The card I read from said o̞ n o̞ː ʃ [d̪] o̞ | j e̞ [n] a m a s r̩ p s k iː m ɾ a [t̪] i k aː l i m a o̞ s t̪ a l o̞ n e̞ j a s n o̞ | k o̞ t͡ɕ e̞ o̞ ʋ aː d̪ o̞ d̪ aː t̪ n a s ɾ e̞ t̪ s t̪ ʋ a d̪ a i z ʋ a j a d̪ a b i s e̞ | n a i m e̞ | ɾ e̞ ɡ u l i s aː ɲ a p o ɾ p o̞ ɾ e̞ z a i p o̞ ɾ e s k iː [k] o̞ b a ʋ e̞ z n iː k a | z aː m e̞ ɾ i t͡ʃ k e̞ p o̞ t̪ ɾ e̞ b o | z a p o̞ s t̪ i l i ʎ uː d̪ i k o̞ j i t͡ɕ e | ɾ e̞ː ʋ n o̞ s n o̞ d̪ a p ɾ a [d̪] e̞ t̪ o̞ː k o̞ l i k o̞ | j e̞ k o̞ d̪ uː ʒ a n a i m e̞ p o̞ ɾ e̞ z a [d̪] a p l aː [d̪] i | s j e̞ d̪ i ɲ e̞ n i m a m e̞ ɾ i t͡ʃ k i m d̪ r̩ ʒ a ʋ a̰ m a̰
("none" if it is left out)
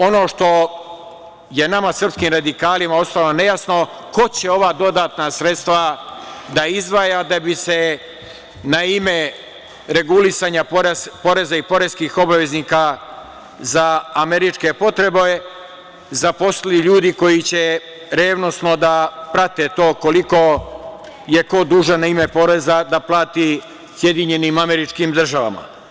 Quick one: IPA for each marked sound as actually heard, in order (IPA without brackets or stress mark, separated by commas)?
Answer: t̪, n, d̪, x, t̪, d̪, t̪